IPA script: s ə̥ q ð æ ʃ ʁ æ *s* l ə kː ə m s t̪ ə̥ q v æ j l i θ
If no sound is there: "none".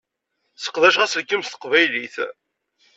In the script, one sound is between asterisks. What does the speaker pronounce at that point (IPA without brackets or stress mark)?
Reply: s